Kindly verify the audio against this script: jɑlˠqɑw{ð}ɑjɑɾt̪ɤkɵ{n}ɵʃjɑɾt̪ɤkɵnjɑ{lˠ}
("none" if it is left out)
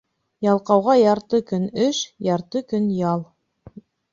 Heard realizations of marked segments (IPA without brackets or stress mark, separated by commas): ʁ, n, lˠ